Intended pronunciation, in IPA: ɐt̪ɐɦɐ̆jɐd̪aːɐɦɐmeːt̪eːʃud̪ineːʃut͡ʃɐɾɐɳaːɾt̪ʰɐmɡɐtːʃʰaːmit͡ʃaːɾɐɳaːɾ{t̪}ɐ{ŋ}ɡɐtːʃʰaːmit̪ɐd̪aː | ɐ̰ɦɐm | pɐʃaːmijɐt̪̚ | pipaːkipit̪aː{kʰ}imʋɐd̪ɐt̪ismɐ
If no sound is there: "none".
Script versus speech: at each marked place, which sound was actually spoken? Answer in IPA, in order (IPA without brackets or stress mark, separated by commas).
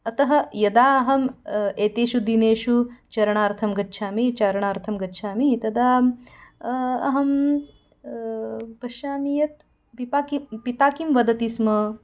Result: t̪ʰ, m, k